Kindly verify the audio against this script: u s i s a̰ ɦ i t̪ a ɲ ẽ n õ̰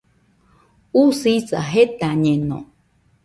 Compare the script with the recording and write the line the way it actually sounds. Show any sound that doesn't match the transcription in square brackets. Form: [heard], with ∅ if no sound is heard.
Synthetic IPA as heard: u s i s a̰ ɦ [e] t̪ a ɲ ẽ n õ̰